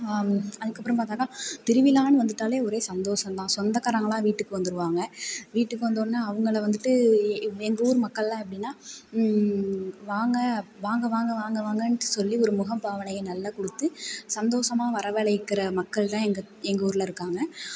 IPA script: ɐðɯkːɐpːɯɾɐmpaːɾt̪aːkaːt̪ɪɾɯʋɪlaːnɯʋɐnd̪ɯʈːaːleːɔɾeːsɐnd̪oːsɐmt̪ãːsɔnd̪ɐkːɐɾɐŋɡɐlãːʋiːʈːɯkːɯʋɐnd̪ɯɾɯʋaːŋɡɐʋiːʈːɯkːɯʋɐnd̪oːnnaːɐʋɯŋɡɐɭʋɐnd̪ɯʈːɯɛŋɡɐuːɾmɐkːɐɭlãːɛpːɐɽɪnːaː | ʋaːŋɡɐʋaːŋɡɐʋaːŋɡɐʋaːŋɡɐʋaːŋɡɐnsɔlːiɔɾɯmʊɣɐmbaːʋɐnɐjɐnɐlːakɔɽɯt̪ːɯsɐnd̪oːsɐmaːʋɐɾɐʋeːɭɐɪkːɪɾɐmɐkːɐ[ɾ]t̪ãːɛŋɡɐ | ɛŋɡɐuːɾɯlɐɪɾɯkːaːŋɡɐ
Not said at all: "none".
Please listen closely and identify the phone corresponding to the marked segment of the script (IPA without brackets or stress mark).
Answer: ɭ